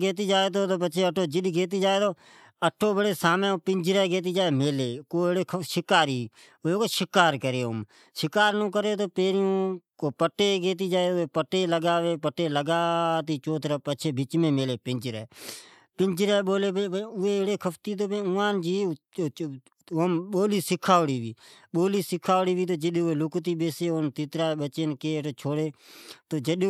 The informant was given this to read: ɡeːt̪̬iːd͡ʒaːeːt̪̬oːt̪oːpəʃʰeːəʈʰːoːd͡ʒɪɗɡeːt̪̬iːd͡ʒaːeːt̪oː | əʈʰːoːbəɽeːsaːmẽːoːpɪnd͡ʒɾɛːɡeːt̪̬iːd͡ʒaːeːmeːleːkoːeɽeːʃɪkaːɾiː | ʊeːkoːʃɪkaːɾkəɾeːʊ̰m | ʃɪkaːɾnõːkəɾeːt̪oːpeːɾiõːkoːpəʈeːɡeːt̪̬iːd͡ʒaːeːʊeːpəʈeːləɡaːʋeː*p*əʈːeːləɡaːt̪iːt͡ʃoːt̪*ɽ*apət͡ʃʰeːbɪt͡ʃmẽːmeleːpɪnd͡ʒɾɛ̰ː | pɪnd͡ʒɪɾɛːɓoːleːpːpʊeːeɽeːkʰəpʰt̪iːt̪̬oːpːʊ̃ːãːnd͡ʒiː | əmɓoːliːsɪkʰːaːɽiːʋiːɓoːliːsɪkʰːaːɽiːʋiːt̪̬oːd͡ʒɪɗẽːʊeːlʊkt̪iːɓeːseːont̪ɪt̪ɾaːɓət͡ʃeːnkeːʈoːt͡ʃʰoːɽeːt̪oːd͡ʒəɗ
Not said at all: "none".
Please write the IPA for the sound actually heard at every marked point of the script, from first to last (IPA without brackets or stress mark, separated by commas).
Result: p, ɾ